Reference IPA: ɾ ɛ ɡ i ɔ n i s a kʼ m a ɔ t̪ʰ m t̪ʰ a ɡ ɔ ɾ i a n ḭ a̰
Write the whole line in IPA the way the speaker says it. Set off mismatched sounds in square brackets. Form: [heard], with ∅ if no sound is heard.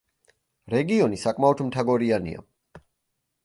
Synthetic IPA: ɾ ɛ ɡ i ɔ n i s a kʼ m a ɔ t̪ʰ m t̪ʰ a ɡ ɔ ɾ i a n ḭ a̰